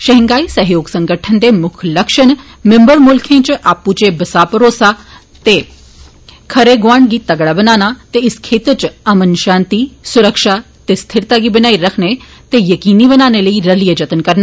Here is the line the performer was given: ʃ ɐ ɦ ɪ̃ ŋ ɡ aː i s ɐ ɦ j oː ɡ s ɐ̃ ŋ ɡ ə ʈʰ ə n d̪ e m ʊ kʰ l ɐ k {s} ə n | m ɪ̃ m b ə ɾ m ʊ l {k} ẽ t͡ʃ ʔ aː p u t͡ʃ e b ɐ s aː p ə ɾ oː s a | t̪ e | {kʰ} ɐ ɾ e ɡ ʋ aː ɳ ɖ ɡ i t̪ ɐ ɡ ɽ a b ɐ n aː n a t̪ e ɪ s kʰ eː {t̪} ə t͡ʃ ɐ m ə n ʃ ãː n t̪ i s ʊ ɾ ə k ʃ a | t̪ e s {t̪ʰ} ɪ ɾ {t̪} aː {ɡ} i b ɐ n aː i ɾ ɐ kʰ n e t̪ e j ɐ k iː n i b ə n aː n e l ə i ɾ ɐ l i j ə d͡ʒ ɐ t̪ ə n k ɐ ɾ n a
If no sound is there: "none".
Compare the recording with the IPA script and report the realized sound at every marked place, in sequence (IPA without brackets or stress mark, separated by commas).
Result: ʃ, kʰ, kʰ, t̪, t̪ʰ, t̪, ɡ